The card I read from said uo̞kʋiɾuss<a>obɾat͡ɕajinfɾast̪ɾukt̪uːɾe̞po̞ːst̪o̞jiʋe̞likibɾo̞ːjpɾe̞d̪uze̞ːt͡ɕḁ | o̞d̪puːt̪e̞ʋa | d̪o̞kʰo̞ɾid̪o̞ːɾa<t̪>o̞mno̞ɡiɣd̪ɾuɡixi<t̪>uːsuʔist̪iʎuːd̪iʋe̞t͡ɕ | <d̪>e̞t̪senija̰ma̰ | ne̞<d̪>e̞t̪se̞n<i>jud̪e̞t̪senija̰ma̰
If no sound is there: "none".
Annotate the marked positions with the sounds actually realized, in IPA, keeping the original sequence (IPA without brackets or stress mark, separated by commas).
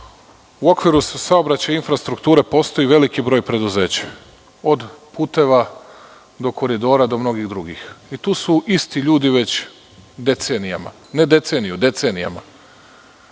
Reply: a, d̪, t̪, d̪, d̪, i